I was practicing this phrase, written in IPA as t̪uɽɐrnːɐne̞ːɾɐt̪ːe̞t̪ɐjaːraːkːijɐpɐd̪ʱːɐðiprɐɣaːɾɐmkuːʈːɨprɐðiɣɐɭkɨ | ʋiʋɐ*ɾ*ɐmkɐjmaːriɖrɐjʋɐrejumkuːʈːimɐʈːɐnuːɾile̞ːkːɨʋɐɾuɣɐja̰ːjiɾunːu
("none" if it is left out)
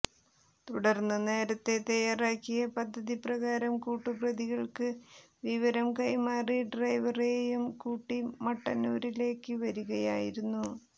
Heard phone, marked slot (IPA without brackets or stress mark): ɾ